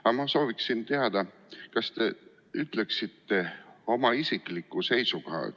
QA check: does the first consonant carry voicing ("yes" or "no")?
yes